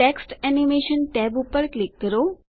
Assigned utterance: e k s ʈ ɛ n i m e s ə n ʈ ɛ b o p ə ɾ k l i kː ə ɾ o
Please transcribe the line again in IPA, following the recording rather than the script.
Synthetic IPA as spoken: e k s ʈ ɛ n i m e ʃ ə n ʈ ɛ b u p ə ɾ k l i kː ə ɾ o